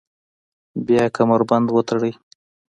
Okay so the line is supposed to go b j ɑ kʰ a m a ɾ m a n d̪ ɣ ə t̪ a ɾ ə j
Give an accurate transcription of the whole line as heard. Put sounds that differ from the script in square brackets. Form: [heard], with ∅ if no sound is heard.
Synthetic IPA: b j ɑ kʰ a m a ɾ [b] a n d̪ [w] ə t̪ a [ɽ] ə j